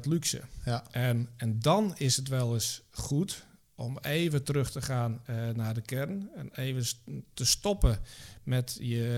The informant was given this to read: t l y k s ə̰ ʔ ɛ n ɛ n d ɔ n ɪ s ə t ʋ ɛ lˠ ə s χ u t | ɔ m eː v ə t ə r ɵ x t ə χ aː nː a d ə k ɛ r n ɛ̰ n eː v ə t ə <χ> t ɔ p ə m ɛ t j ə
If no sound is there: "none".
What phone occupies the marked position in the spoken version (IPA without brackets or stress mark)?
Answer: s